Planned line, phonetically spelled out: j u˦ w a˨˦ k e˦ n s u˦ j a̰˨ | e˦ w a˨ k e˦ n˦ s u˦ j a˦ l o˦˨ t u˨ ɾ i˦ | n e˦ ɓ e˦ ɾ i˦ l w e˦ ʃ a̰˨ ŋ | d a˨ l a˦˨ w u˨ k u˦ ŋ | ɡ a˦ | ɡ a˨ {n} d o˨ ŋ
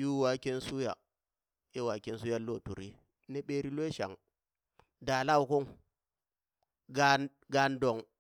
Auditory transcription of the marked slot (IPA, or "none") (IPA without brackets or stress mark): n